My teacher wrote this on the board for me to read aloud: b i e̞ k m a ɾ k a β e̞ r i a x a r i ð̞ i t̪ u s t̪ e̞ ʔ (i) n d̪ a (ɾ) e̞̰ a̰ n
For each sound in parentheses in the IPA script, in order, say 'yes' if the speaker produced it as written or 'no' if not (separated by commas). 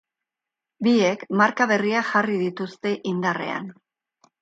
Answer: yes, no